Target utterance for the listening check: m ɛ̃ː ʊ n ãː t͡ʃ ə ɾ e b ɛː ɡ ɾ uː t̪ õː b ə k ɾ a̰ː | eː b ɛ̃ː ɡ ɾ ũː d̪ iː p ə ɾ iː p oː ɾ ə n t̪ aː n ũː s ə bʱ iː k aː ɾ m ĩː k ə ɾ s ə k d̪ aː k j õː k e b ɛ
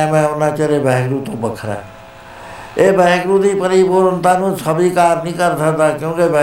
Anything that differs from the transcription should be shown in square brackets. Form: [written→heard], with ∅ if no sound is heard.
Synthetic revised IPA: m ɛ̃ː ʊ n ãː t͡ʃ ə ɾ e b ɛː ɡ ɾ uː t̪ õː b ə [k→kʰ] ɾ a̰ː | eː b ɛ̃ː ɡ ɾ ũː d̪ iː p ə ɾ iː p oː ɾ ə n t̪ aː n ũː s ə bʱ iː k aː ɾ [m→n] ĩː k ə ɾ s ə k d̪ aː k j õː k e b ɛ